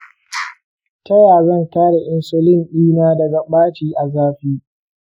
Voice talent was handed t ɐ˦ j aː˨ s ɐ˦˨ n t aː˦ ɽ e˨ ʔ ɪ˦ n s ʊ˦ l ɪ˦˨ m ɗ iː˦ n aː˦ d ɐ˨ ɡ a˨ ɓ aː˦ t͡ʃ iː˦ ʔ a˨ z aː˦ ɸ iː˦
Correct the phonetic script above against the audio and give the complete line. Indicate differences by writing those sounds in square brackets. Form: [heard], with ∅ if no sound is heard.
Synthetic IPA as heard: t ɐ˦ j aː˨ [z] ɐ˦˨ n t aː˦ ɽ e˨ ʔ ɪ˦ n s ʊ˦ l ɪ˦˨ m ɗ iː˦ n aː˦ d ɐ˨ ɡ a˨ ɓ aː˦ t͡ʃ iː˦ ʔ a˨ z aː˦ ɸ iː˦